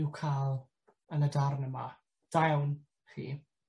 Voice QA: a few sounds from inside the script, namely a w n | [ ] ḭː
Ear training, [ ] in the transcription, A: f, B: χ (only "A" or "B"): B